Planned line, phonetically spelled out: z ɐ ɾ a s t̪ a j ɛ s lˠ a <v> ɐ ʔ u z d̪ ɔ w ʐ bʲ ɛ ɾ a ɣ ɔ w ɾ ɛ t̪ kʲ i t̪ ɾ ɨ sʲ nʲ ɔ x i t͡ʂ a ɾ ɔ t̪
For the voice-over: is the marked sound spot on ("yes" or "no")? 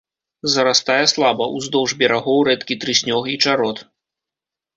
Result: no